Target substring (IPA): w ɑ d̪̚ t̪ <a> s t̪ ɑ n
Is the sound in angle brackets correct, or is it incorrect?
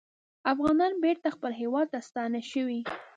correct